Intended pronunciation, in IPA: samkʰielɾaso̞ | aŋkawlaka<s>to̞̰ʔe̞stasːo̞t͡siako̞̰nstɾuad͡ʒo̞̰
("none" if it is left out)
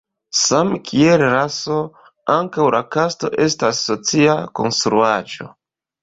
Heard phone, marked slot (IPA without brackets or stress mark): s